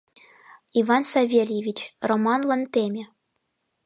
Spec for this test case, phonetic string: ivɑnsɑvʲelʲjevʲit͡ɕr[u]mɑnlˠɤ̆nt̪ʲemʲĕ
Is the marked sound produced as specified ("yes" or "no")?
no